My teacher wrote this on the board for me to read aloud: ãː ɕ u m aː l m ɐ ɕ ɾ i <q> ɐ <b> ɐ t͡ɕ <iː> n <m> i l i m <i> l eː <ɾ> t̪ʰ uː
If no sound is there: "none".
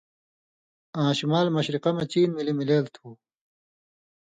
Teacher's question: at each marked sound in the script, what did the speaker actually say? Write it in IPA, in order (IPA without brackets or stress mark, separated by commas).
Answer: q, m, iː, m, i, l